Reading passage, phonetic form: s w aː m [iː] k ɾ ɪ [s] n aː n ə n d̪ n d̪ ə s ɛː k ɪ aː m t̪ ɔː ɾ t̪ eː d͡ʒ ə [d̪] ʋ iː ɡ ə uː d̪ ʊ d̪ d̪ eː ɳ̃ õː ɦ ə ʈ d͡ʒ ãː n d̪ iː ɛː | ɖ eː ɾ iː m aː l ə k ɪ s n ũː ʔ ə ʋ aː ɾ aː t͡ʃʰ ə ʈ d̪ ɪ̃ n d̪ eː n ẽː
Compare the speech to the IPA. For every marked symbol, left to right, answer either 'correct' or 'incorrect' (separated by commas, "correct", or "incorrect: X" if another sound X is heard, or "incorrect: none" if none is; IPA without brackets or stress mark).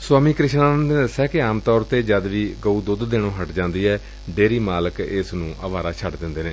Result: correct, incorrect: ʃ, correct